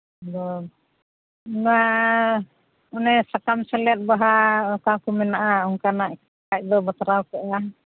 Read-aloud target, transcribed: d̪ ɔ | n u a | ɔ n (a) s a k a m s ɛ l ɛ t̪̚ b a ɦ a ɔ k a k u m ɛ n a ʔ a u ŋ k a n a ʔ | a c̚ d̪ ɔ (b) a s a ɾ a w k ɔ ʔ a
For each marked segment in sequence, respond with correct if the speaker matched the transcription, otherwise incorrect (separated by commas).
incorrect, correct